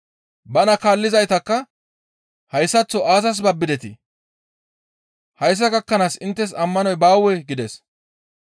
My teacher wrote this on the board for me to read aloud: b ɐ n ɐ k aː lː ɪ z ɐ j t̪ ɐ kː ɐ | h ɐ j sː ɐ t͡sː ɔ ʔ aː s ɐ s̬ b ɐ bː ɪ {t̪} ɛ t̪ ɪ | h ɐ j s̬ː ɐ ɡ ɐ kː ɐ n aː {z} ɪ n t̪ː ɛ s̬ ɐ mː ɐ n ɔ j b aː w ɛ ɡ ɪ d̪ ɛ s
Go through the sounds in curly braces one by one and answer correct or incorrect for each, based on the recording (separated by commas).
incorrect, incorrect